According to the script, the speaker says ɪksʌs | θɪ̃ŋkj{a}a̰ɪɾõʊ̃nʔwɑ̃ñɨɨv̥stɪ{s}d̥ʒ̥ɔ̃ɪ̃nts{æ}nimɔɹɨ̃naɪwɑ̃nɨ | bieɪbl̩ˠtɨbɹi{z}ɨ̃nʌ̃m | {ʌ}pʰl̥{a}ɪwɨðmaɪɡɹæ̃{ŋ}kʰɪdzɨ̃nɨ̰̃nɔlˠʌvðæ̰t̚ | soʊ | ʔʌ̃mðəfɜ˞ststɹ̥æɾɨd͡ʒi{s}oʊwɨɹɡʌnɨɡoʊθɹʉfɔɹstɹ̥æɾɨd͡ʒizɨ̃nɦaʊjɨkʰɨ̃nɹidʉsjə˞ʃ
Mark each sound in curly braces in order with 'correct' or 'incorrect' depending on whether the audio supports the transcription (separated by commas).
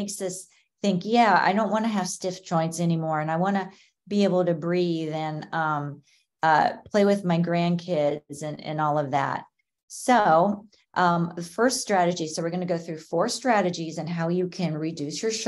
incorrect, incorrect, incorrect, incorrect, correct, incorrect, incorrect, correct